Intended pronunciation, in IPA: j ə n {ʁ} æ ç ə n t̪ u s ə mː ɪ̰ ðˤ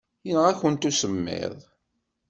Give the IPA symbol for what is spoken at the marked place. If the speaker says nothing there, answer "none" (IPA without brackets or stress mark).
ʁ